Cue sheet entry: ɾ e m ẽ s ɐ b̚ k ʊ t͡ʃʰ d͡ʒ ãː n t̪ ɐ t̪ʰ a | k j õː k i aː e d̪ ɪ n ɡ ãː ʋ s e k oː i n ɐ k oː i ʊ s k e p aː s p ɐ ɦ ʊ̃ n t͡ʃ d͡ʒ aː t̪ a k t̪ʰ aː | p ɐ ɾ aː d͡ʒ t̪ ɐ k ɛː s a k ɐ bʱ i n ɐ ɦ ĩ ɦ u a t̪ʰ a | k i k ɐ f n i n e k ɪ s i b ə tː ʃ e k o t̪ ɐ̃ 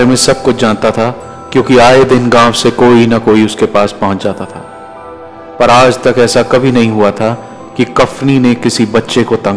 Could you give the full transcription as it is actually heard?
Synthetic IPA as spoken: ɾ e m ẽ s ɐ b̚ k ʊ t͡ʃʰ d͡ʒ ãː n t̪ a t̪ʰ a | k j õː k i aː e d̪ ɪ n ɡ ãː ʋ s e k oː i n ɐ k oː i ʊ s k e p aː s p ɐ ɦ ʊ̃ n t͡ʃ d͡ʒ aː t̪ a t̪ʰ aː | p ɐ ɾ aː d͡ʒ t̪ ɐ k ɛː s a k ɐ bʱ i n ɐ ɦ ĩ ɦ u a t̪ʰ a | k i k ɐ f n i n e k ɪ s i b ɐ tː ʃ e k o t̪ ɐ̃